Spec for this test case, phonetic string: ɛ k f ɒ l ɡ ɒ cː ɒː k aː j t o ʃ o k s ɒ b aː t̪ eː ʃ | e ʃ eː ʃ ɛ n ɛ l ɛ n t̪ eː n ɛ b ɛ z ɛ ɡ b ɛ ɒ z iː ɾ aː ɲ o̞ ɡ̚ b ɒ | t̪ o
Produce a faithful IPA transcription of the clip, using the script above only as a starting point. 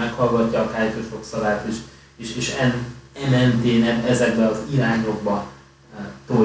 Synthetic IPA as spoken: ɛ k h ɒ l ɡ ɒ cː ɒː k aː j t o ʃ o k s ɒ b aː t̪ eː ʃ | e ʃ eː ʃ ɛ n ɛ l ɛ n t̪ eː n ɛ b ɛ z ɛ ɡ b ɛ ɒ z i ɾ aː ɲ o̞ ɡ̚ b ɒ | t̪ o